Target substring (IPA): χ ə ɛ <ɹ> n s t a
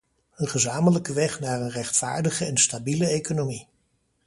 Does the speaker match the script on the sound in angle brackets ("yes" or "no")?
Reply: no